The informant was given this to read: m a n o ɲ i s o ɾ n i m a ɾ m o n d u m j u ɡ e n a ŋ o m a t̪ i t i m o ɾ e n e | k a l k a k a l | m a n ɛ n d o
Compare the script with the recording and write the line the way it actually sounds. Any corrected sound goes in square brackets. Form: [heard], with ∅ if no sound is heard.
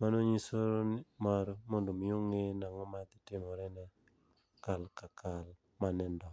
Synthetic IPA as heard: m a n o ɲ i s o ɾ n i m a ɾ m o n d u m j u [ŋ] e n a ŋ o m a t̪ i t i m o ɾ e n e | k a l k a k a l | m a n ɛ n d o